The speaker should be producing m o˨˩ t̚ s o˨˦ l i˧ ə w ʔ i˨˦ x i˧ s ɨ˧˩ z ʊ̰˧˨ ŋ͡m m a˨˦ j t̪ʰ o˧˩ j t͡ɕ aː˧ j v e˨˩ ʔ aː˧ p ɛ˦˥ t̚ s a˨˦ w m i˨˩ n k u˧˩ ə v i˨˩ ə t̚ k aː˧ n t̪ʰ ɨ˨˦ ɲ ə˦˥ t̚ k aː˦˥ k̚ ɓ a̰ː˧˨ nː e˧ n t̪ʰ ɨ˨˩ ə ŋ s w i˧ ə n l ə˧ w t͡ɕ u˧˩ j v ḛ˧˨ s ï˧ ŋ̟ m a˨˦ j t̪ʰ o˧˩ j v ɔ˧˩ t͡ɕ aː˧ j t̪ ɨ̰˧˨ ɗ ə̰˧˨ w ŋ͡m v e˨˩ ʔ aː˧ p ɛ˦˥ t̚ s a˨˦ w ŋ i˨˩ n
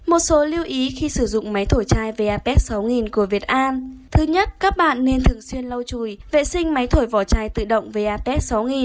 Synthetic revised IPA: m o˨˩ t̚ s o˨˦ l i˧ ə w ʔ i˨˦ x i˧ s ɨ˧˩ z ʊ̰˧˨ ŋ͡m m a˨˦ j t̪ʰ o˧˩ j t͡ɕ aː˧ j v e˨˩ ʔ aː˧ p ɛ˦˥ t̚ s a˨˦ w ŋ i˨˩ n k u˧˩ ə v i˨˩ ə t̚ ʔ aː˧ n t̪ʰ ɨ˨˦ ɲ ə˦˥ t̚ k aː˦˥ k̚ ɓ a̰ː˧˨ nː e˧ n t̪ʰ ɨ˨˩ ə ŋ s w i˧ ə n l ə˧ w t͡ɕ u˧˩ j v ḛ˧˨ s ï˧ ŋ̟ m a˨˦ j t̪ʰ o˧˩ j v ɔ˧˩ t͡ɕ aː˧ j t̪ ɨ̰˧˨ ɗ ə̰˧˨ w ŋ͡m v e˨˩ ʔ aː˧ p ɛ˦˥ t̚ s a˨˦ w ŋ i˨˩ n